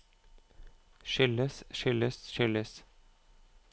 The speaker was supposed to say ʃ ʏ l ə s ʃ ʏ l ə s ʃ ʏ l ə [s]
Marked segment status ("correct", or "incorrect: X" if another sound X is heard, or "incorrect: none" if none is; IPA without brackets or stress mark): correct